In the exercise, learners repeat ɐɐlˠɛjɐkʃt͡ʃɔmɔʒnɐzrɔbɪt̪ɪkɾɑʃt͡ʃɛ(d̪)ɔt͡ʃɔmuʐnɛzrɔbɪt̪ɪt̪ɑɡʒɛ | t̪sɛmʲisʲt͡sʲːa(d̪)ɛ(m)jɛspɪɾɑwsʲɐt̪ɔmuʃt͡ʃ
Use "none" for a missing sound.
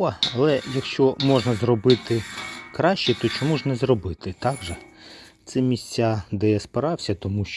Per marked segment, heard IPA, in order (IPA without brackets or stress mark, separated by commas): t̪, d̪, none